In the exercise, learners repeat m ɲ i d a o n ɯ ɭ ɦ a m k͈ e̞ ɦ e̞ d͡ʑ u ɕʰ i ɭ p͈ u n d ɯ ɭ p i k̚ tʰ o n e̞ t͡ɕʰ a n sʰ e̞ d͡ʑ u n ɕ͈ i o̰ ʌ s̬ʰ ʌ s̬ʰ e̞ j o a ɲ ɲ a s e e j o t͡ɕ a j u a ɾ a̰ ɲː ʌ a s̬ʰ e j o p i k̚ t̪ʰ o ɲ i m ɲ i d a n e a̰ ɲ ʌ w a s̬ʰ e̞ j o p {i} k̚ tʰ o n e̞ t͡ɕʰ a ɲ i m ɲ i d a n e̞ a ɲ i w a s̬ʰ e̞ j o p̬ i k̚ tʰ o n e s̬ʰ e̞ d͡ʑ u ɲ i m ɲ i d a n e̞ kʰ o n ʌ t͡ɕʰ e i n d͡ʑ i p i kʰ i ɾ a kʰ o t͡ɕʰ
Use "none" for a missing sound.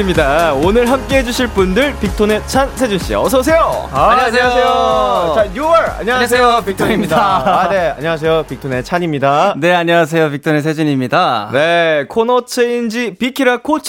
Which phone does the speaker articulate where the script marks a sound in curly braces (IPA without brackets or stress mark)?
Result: i